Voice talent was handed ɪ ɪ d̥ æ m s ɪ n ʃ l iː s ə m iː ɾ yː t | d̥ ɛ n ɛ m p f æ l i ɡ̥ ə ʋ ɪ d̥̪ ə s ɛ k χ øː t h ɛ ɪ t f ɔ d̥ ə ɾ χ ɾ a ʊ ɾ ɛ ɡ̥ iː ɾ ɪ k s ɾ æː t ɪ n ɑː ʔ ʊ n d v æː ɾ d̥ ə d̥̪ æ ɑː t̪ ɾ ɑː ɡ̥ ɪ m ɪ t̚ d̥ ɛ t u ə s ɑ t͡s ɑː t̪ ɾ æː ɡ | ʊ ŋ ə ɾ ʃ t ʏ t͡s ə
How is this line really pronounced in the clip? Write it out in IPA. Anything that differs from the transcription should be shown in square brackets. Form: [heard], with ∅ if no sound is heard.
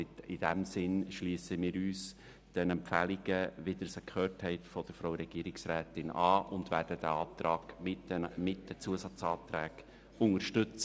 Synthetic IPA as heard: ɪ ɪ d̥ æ m s ɪ n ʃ l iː s ə m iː ɾ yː [s] | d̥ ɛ n ɛ m p f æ l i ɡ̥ ə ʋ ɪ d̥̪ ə s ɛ k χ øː t h ɛ ɪ t f ɔ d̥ ə ɾ [f] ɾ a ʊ ɾ ɛ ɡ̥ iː ɾ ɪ k s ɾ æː t ɪ n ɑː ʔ ʊ n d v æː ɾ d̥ ə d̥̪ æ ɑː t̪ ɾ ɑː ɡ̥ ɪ m ɪ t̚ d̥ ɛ [t͡s] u ə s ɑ t͡s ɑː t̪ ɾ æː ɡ | ʊ ŋ ə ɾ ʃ t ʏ t͡s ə

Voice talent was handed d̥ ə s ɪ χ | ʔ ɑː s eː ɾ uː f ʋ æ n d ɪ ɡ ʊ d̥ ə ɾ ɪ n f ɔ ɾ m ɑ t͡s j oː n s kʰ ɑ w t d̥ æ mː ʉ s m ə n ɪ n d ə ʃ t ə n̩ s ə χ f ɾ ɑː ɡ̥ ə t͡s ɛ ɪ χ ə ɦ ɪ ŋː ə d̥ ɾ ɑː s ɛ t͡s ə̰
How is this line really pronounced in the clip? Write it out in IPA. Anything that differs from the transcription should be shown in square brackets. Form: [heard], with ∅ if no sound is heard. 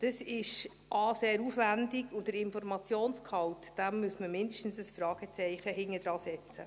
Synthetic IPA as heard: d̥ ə s ɪ [ʃ] | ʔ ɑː s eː ɾ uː f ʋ æ n d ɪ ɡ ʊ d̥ ə ɾ ɪ n f ɔ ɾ m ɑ t͡s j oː n s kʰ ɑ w t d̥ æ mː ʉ s m ə [m] ɪ n d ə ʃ t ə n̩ s ə [s] f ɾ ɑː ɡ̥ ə t͡s ɛ ɪ χ ə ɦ ɪ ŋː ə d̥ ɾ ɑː s ɛ t͡s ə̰

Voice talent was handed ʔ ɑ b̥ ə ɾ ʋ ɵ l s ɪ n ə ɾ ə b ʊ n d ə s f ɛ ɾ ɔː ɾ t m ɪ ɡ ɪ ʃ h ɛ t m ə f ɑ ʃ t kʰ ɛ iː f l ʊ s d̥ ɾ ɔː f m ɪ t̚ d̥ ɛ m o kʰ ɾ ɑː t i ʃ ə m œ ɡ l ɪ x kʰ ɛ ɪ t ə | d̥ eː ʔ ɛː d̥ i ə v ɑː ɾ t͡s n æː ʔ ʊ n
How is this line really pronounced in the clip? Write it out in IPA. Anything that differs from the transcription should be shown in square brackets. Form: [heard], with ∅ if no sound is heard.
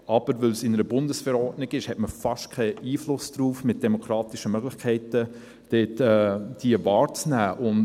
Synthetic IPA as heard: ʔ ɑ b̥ ə ɾ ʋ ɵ l s ɪ n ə ɾ ə b ʊ n d ə s f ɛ ɾ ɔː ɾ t [n] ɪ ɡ ɪ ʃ h ɛ t m ə f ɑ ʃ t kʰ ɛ iː f l ʊ s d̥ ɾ [uː] f m ɪ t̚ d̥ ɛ m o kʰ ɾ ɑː t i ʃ ə m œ ɡ l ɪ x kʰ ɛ ɪ t ə | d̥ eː [t] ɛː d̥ i ə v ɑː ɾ t͡s n æː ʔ ʊ n

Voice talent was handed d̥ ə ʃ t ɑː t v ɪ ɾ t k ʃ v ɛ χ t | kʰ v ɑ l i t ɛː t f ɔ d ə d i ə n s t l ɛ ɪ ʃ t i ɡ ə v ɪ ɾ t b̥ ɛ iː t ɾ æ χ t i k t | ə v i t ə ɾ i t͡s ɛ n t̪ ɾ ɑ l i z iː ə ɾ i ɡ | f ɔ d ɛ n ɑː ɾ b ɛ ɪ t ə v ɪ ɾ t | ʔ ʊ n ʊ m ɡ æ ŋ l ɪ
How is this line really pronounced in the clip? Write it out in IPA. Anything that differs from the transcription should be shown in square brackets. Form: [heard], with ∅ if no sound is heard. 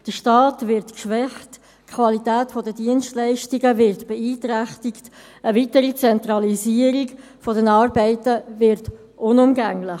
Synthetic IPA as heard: d̥ ə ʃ t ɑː t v ɪ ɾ t k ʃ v ɛ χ t | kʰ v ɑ l i t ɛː t f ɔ d ə d i ə n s t l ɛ ɪ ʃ t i ɡ ə v ɪ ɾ t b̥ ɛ iː t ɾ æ χ t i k t | ə v i t ə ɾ i t͡s ɛ n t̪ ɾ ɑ l i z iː ə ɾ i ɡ | f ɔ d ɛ n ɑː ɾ b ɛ ɪ t ə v ɪ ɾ t | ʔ ʊ n ʊ m ɡ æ ŋ l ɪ

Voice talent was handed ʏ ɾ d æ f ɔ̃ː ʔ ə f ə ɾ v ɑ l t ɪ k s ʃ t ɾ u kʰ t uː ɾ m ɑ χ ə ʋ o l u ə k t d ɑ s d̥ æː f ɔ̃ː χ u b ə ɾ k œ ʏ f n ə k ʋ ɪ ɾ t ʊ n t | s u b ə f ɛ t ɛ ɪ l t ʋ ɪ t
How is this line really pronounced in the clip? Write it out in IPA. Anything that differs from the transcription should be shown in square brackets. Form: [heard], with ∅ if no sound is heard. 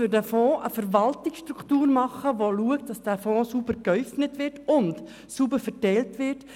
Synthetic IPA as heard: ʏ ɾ d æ f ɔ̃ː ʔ ə f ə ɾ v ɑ l t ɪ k s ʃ t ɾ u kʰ t uː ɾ m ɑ χ ə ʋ o l u ə k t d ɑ s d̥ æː f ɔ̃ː [s] u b ə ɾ k œ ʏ f n ə [t] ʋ ɪ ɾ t ʊ n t | s u b ə f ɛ t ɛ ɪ l t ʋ ɪ t

